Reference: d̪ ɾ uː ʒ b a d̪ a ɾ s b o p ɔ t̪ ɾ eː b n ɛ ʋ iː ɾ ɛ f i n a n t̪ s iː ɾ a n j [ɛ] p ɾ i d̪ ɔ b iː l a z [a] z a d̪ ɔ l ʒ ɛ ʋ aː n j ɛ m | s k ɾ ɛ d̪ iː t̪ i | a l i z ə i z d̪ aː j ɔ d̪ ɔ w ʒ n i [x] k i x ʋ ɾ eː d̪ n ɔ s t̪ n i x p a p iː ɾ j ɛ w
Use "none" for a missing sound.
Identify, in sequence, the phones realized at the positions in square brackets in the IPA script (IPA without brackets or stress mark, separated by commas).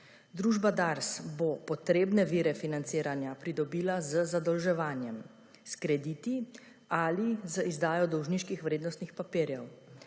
a, ə, ʃ